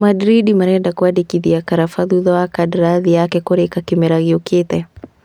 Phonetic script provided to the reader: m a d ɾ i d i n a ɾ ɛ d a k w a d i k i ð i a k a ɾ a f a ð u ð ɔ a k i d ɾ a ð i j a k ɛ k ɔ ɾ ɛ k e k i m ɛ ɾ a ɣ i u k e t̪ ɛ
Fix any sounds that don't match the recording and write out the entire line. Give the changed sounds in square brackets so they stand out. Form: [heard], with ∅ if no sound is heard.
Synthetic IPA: m a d ɾ i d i [m] a ɾ ɛ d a k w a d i k i ð i a k a ɾ a f a ð u ð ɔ a k [a] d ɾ a ð i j a k ɛ k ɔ ɾ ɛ k [a] k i m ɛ ɾ a ɣ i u k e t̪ ɛ